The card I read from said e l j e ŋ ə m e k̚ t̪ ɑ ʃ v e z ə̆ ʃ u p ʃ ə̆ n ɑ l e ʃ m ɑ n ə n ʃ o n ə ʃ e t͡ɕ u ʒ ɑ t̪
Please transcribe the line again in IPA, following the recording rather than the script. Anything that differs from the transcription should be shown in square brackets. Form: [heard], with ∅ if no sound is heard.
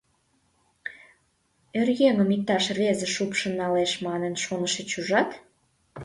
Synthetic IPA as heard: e [r] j e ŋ ə m [i] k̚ t̪ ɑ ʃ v e z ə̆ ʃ u p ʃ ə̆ n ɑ l e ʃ m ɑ n ə n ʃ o n ə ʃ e t͡ɕ u ʒ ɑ t̪

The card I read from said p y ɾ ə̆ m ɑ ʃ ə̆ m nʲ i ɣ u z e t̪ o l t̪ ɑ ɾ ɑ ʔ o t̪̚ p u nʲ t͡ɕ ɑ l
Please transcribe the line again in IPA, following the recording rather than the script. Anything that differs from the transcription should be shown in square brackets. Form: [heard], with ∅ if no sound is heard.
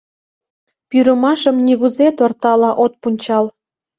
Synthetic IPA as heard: p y ɾ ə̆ m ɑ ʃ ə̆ m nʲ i ɣ u z e t̪ o [r] t̪ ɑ [l] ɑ ʔ o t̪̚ p u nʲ t͡ɕ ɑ l

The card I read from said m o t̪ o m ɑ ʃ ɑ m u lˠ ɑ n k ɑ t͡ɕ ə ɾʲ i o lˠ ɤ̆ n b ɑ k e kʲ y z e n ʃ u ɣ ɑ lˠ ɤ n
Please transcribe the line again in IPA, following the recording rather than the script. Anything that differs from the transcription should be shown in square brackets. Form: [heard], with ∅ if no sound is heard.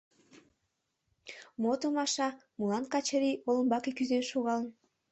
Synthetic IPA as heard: m o t̪ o m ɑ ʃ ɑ m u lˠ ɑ n k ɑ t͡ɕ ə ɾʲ i o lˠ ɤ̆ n b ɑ k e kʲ y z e n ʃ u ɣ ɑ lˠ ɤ n

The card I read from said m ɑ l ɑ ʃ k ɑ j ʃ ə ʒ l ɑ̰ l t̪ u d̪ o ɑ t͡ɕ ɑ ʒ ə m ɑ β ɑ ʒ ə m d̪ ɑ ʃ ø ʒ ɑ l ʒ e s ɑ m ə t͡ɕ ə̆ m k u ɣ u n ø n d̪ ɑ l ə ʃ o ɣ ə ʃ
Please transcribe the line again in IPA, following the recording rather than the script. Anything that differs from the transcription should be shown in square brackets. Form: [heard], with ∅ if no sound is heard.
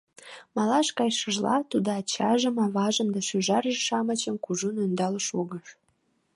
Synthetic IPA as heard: m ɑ l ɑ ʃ k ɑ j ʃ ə ʒ l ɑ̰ [∅] t̪ u d̪ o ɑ t͡ɕ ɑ ʒ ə m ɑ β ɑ ʒ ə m d̪ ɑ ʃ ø ʒ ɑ [r] ʒ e [ʃ] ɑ m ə t͡ɕ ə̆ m k u [ʒ] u n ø n d̪ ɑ l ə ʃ o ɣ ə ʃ

